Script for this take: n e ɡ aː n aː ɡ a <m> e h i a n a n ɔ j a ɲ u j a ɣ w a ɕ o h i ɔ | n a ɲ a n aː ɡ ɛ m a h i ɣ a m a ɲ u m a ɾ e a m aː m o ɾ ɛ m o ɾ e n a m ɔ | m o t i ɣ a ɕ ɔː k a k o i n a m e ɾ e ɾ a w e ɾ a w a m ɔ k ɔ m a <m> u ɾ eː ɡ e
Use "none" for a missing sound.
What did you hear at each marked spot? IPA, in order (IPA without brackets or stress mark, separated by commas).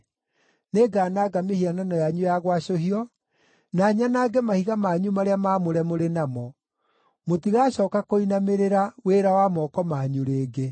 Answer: m, ɲ